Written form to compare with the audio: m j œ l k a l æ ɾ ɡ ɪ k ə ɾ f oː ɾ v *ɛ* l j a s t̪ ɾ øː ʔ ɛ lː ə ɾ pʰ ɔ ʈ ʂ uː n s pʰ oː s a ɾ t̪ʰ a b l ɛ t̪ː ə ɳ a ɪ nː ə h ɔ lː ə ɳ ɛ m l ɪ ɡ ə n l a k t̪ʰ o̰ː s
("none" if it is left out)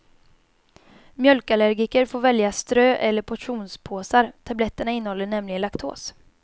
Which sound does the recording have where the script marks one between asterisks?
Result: ɛ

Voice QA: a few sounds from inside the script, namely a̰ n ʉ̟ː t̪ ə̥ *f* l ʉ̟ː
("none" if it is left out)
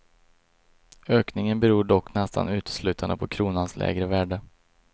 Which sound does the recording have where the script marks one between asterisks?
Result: s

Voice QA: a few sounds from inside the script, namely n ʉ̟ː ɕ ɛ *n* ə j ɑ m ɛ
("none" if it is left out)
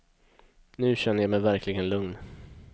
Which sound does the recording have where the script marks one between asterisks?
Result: nː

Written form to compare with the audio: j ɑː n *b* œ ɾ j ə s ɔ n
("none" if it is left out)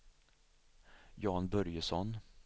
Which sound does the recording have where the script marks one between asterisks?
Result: b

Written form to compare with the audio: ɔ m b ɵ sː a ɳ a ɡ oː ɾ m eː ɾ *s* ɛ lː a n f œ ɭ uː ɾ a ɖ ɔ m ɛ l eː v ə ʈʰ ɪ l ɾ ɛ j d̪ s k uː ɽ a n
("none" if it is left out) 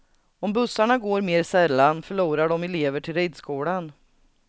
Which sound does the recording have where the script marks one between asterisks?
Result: s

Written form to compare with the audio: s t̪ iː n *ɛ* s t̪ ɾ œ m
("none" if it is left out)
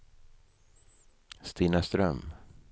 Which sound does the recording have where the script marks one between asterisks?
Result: a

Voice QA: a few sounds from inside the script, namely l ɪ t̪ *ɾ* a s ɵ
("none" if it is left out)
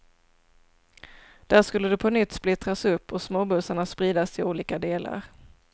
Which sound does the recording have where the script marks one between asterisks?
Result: ɾ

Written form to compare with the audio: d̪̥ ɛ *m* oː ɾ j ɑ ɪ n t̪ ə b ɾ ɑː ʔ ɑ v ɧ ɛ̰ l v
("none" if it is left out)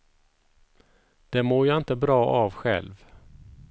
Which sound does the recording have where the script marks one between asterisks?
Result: m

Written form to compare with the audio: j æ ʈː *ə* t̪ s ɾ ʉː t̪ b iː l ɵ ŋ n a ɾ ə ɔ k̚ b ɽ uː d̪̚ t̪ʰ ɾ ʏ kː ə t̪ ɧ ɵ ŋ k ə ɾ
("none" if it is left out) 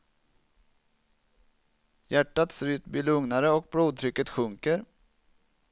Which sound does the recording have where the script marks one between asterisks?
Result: a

